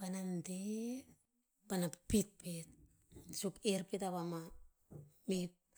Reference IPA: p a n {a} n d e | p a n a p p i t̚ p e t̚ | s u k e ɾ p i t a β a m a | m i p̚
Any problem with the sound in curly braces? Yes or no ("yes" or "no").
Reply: no